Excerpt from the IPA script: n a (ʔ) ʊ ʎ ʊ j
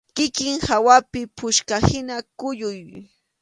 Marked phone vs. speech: incorrect: k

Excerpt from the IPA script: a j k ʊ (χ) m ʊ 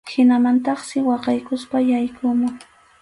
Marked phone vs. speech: incorrect: none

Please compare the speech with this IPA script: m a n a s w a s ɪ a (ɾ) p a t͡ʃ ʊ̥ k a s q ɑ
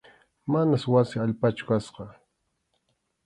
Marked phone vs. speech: incorrect: ʎ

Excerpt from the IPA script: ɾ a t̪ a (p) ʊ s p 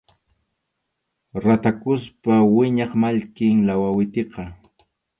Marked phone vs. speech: incorrect: k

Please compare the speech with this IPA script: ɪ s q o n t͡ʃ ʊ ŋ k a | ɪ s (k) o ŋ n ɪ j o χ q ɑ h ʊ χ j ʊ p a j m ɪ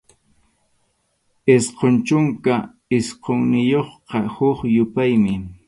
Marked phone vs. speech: incorrect: q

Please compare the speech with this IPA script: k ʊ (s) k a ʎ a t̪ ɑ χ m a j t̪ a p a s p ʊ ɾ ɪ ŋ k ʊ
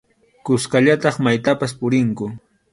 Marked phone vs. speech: correct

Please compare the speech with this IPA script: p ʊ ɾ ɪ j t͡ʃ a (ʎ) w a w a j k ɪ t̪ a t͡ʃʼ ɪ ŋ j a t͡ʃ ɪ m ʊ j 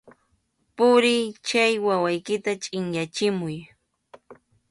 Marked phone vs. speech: incorrect: j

